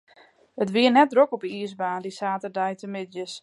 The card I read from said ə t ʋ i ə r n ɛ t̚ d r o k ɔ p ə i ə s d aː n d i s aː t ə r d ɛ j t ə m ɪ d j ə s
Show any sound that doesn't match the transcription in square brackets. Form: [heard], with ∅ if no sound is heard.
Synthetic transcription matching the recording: ə t ʋ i ə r n ɛ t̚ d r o k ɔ p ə i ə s [b] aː n d i s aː t ə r d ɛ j t ə m ɪ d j ə s